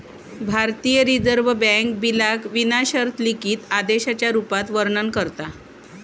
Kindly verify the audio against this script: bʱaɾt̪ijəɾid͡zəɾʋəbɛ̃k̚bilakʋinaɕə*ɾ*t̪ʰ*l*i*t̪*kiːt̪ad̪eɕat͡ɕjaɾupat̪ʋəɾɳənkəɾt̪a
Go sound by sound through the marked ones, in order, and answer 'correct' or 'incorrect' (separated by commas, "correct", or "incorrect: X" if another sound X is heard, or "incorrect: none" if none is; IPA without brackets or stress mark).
correct, correct, incorrect: none